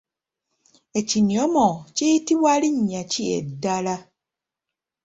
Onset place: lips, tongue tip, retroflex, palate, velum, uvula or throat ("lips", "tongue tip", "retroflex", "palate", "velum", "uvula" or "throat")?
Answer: palate